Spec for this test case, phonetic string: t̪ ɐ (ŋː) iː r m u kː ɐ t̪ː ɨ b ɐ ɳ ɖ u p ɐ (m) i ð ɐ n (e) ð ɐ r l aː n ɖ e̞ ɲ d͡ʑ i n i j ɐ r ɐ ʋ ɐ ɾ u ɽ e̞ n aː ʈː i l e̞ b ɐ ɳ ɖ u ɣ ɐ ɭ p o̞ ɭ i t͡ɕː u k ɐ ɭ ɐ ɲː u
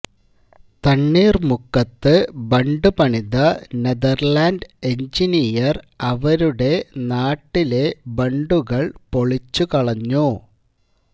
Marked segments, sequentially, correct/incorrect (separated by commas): incorrect, incorrect, correct